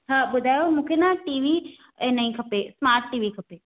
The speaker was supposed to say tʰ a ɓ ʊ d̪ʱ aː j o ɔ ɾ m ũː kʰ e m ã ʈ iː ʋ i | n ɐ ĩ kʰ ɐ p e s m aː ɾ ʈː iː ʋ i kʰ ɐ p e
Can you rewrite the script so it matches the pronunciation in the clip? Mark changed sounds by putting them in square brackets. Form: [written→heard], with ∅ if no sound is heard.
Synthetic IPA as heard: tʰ a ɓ ʊ d̪ʱ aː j o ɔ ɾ m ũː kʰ e [m→n] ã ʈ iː ʋ i | n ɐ ĩ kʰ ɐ p e s m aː ɾ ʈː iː ʋ i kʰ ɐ p e